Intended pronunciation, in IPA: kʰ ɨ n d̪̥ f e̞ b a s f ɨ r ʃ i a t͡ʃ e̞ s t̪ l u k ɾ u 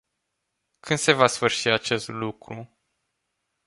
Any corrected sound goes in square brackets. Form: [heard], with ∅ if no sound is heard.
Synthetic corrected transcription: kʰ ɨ n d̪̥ [s] e̞ [v] a s f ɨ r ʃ i a t͡ʃ e̞ s t̪ l u k ɾ u